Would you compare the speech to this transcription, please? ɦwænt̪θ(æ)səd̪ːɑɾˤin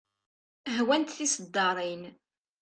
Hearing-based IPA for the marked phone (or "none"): i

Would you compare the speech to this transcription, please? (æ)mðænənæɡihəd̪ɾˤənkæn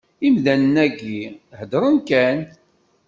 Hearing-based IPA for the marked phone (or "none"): i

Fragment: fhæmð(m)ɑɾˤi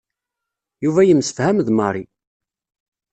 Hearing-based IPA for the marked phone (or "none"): m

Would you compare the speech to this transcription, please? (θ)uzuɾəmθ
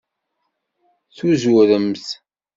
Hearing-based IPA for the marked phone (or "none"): θ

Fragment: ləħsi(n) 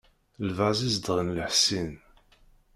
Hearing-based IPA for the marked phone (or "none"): n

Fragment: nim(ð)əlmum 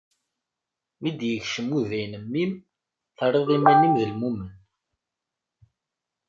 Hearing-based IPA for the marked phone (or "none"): ð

